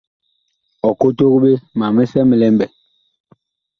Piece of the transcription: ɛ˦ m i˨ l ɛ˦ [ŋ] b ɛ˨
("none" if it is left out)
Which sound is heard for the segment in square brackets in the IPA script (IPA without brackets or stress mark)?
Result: m